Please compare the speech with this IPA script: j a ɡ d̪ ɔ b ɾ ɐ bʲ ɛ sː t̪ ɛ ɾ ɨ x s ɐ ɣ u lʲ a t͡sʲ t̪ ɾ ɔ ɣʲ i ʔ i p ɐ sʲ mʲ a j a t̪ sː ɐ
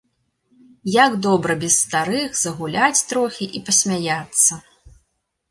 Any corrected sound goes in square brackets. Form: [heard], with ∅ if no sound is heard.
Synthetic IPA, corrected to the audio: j a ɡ d̪ ɔ b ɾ ɐ bʲ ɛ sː t̪ [a] ɾ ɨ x [z] ɐ ɣ u lʲ a t͡sʲ t̪ ɾ ɔ [xʲ] i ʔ i p ɐ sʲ mʲ a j a t̪ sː ɐ

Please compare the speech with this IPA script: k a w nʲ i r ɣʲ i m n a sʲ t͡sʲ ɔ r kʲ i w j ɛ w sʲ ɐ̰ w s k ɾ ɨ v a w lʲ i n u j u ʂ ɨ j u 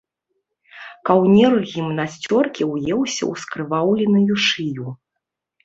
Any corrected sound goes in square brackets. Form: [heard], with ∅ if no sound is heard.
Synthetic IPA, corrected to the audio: k a w nʲ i r ɣʲ i m n a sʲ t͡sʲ ɔ r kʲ i w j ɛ w sʲ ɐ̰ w s k ɾ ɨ v a w lʲ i n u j u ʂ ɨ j u

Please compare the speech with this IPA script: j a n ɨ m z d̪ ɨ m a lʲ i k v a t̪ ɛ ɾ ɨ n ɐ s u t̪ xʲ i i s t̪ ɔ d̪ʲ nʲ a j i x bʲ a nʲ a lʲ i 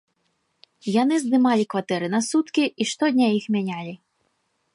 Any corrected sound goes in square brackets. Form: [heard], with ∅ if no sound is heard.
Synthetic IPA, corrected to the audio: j a n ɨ [∅] z d̪ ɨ m a lʲ i k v a t̪ ɛ ɾ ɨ n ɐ s u t̪ [kʲ] i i [ʂ] t̪ ɔ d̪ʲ nʲ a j i x [mʲ] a nʲ a lʲ i

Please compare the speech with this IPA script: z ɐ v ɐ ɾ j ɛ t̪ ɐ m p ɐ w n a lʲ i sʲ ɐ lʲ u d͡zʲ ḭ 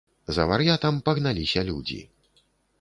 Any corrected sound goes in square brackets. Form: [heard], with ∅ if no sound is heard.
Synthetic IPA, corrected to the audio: z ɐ v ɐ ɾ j [a] t̪ ɐ m p ɐ [ɣ] n a lʲ i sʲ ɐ lʲ u d͡zʲ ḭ

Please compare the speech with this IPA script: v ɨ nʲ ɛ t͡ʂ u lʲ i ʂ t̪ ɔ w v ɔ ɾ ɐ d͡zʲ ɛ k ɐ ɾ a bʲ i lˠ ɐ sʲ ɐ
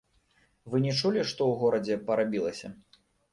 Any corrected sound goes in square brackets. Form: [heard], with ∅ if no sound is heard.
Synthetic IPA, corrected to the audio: v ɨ nʲ ɛ t͡ʂ u lʲ i ʂ t̪ ɔ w [ɣ] ɔ ɾ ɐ d͡zʲ ɛ [p] ɐ ɾ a bʲ i lˠ ɐ sʲ ɐ

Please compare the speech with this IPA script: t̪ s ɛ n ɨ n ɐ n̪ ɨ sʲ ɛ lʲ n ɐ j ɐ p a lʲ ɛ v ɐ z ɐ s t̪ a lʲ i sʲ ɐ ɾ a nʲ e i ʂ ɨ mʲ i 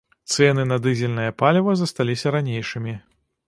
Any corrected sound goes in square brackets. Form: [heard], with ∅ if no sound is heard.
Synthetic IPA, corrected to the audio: t̪ s ɛ n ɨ n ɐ [d̪] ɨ [zʲ] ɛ lʲ n ɐ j ɐ p a lʲ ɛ v ɐ z ɐ s t̪ a lʲ i sʲ ɐ ɾ a nʲ e [j] ʂ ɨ mʲ i

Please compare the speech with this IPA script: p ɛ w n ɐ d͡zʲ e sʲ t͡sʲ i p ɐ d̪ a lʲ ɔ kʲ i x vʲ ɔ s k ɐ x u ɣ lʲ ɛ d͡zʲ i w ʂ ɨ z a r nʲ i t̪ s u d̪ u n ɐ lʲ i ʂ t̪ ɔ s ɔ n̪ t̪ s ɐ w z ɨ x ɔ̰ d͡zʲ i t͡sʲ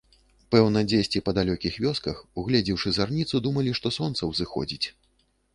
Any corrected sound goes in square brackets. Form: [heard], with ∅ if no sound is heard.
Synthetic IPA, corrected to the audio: p ɛ w n ɐ d͡zʲ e sʲ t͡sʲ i p ɐ d̪ a lʲ ɔ kʲ i x vʲ ɔ s k ɐ x u ɣ lʲ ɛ d͡zʲ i w ʂ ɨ z a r nʲ i t̪ s u d̪ u [m] ɐ lʲ i ʂ t̪ ɔ s ɔ n̪ t̪ s ɐ w z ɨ x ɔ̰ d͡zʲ i t͡sʲ

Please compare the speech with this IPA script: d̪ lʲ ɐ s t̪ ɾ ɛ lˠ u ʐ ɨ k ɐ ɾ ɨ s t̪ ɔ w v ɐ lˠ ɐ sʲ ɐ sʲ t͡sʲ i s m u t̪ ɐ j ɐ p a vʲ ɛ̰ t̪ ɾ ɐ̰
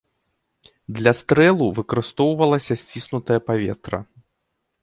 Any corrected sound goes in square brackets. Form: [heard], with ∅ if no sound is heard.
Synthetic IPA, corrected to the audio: d̪ lʲ ɐ s t̪ ɾ ɛ lˠ u [v] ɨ k ɐ ɾ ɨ s t̪ ɔ w v ɐ lˠ ɐ sʲ ɐ sʲ t͡sʲ i s [n] u t̪ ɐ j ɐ p a vʲ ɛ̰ t̪ ɾ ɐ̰

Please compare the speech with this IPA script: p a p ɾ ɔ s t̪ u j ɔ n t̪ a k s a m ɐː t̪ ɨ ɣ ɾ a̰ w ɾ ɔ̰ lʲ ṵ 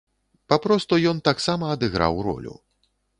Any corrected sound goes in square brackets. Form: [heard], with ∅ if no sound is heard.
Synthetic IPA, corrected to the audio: p a p ɾ ɔ s t̪ u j ɔ n t̪ a k s a m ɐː [d̪] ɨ ɣ ɾ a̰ w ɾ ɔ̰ lʲ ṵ

